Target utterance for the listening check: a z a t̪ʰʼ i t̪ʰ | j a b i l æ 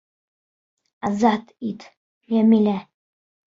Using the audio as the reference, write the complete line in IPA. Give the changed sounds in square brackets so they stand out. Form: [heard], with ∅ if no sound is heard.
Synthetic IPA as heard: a z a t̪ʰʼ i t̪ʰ | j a [m] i l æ